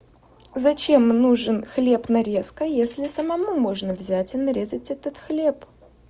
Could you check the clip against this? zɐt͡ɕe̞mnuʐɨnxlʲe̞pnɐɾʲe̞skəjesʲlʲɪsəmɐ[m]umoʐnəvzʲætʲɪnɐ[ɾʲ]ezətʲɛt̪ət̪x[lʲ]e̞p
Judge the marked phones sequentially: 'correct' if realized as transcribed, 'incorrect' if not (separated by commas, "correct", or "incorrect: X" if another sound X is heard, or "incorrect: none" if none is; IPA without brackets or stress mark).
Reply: correct, correct, correct